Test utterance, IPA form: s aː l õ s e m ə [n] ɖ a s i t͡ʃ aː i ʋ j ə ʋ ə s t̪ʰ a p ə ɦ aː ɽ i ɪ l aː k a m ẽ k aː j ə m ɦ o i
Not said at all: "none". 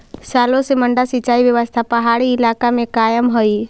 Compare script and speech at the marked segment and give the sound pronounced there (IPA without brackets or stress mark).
ɳ